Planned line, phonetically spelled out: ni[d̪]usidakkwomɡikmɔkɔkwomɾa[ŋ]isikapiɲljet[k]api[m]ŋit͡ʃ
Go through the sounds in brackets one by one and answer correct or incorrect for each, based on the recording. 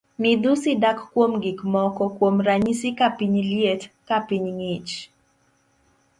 correct, incorrect: ɲ, correct, incorrect: ɲ

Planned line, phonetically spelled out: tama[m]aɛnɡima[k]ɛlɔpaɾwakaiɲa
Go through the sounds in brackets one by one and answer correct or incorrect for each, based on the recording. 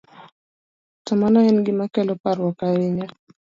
incorrect: n, correct

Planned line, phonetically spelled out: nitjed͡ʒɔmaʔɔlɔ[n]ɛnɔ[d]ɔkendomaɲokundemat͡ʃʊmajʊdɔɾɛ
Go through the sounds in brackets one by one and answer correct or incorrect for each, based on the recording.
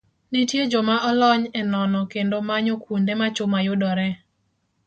incorrect: ɲ, incorrect: n

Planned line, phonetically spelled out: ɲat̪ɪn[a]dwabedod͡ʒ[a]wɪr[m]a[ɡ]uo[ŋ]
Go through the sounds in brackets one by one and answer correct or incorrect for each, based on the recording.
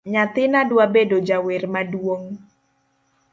correct, correct, correct, incorrect: d, correct

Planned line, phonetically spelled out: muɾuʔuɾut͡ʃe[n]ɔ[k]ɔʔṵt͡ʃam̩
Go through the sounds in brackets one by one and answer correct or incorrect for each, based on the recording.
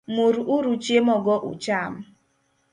incorrect: m, incorrect: ɡ

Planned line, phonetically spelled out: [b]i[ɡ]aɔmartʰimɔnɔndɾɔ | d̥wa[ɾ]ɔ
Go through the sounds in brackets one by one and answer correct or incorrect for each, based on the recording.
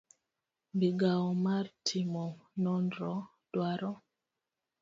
correct, correct, correct

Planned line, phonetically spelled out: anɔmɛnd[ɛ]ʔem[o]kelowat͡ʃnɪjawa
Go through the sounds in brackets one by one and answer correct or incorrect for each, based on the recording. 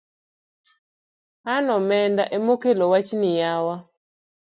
incorrect: a, correct

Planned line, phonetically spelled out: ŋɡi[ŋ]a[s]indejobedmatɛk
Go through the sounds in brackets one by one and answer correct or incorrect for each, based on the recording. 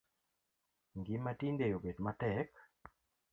incorrect: m, incorrect: t

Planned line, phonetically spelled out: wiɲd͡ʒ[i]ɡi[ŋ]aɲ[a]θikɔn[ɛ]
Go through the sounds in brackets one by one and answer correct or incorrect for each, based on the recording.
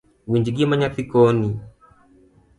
correct, incorrect: m, correct, incorrect: i

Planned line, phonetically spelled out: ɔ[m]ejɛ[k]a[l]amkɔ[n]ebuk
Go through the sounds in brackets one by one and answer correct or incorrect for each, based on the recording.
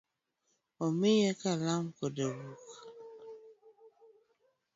correct, correct, correct, incorrect: d

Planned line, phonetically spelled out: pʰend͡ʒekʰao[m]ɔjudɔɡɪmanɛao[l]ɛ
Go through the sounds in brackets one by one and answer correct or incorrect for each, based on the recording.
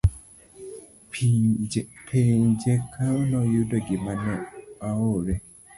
incorrect: n, incorrect: ɾ

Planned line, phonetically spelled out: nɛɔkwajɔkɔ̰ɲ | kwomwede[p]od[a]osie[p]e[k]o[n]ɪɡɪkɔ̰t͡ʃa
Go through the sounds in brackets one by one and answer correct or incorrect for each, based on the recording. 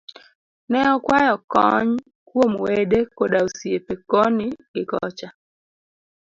incorrect: k, correct, correct, correct, correct

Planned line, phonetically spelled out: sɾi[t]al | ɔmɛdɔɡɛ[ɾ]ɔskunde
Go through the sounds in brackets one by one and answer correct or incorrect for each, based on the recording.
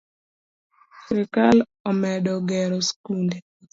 incorrect: k, correct

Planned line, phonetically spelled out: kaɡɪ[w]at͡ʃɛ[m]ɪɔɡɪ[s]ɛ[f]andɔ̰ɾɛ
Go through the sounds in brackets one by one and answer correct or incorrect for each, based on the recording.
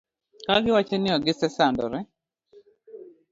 correct, incorrect: n, correct, incorrect: s

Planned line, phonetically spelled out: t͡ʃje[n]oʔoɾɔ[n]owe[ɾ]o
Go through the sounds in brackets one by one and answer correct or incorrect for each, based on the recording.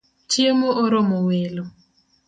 incorrect: m, incorrect: m, incorrect: l

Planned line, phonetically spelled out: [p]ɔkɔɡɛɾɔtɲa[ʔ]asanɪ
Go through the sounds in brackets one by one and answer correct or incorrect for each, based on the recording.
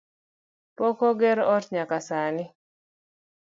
correct, incorrect: k

